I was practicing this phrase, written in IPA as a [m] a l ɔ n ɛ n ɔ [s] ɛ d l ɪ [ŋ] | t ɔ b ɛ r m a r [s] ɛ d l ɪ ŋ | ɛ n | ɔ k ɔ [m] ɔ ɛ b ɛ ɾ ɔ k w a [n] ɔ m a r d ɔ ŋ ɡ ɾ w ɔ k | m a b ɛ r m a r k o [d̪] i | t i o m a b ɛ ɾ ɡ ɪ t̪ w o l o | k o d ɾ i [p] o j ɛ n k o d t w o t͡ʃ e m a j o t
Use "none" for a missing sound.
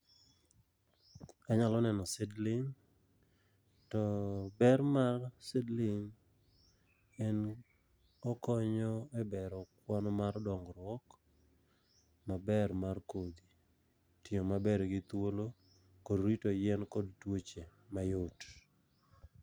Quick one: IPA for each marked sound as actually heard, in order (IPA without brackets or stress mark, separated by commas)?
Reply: ɲ, s, ŋ, s, ɲ, n, d̪, t